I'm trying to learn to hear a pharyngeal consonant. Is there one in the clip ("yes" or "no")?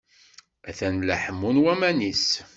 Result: yes